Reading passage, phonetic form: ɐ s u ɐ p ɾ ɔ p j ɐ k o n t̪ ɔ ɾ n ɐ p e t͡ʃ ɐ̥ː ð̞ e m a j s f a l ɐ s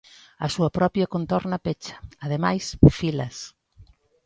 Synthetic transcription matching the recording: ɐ s u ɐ p ɾ ɔ p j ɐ k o n t̪ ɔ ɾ n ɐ p e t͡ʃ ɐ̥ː ð̞ e m a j s f i l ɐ s